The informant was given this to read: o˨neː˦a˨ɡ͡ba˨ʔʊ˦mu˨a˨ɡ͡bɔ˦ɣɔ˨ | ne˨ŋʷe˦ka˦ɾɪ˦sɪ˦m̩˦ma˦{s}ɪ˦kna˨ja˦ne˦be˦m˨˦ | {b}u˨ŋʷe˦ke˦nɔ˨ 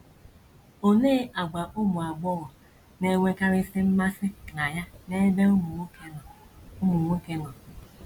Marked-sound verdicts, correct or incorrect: correct, incorrect

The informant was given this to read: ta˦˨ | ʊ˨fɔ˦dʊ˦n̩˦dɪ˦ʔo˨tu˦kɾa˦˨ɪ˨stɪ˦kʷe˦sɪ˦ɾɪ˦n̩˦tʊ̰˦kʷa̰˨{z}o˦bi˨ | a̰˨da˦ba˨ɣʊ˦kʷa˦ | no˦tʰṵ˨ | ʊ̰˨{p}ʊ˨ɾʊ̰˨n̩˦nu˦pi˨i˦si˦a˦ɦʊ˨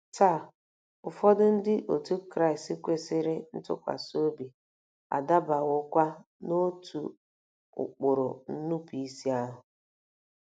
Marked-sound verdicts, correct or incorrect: incorrect, incorrect

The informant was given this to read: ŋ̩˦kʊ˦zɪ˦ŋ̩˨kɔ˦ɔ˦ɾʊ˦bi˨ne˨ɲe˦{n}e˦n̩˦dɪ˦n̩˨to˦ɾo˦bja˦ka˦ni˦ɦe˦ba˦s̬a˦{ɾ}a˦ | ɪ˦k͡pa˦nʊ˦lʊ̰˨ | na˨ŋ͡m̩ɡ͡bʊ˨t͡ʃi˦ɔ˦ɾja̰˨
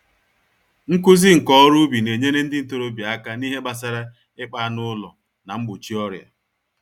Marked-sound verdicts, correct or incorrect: correct, correct

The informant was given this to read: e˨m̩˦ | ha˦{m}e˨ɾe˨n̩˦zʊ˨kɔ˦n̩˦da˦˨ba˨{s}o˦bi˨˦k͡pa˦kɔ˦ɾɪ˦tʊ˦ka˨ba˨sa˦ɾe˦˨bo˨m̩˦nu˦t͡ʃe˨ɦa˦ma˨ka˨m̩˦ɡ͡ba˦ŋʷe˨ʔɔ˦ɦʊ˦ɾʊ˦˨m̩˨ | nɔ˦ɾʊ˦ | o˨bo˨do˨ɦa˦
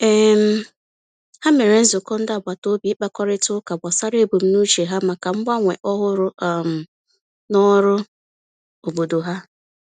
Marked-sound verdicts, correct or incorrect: correct, incorrect

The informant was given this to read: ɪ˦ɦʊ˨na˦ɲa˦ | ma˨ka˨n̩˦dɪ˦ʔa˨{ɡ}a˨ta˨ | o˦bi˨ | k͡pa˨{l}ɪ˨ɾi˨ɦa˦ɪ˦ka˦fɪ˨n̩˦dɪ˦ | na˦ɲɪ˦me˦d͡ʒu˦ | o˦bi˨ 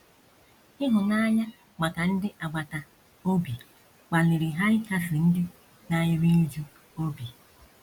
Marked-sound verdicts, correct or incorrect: incorrect, correct

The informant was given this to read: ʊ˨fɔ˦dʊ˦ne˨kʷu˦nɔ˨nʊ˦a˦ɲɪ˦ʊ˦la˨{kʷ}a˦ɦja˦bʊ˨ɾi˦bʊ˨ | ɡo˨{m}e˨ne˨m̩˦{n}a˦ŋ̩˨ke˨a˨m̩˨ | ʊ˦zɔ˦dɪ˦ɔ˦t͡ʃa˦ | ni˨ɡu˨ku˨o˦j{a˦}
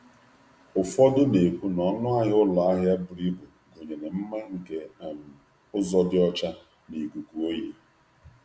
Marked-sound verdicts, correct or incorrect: incorrect, incorrect, incorrect, incorrect

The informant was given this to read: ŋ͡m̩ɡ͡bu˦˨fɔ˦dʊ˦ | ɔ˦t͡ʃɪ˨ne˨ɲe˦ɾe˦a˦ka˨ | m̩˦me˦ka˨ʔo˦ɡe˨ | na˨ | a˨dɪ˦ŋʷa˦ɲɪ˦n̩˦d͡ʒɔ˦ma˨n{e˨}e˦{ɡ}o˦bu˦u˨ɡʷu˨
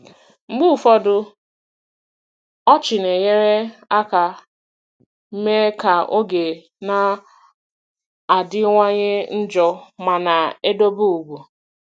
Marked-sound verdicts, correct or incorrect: incorrect, incorrect

